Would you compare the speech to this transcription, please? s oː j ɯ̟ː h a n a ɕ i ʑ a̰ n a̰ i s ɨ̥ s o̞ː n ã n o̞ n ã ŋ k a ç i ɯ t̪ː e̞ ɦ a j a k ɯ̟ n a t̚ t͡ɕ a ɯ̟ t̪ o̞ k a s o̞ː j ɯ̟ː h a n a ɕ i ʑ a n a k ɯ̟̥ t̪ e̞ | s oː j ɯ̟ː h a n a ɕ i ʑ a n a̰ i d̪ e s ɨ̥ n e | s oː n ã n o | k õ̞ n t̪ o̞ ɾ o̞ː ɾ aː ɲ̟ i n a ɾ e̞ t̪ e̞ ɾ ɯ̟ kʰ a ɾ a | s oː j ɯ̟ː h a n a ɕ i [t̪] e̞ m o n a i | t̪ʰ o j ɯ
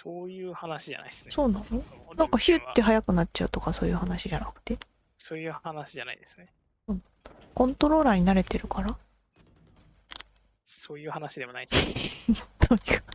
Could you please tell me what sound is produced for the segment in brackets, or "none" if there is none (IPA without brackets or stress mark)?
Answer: d̪